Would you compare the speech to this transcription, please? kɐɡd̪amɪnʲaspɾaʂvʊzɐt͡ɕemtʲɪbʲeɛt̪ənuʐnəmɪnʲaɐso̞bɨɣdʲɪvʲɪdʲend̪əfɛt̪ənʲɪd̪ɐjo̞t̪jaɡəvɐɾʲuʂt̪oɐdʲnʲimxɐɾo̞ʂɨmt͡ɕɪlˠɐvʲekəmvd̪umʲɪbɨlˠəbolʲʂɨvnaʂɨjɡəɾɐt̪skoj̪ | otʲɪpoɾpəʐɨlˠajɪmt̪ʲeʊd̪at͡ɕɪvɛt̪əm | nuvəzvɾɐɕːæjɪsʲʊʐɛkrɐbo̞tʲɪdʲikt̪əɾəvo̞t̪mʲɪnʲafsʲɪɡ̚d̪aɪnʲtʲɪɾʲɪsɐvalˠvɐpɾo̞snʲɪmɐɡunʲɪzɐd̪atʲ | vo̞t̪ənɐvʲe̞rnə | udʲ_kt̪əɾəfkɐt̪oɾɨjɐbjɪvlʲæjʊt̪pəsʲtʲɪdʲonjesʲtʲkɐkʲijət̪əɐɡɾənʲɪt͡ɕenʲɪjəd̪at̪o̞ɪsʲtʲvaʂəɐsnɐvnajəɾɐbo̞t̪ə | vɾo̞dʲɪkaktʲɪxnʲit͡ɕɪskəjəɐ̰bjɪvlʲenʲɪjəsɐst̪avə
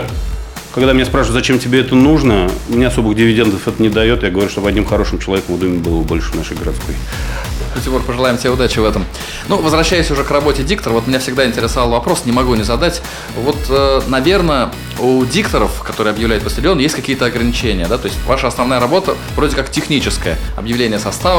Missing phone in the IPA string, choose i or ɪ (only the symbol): i